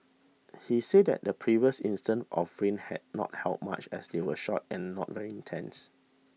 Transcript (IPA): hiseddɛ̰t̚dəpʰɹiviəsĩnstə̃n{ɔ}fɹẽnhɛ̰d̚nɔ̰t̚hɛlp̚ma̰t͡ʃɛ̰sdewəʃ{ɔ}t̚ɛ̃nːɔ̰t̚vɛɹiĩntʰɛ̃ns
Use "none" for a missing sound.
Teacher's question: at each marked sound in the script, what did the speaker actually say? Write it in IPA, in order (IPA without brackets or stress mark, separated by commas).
ɔ, ɔ